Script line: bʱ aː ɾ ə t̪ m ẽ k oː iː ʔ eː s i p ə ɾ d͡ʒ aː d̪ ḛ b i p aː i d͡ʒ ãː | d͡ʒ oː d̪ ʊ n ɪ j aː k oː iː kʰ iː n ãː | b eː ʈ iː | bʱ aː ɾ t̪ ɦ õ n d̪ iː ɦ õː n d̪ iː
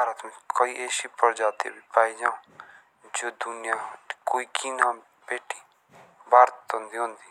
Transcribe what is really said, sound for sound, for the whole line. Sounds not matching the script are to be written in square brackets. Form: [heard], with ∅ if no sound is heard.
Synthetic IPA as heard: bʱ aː ɾ ə t̪ m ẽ k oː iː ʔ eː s i p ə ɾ d͡ʒ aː [t̪] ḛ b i p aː i d͡ʒ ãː | d͡ʒ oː d̪ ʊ n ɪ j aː k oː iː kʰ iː n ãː | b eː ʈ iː | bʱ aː ɾ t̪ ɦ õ n d̪ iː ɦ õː n d̪ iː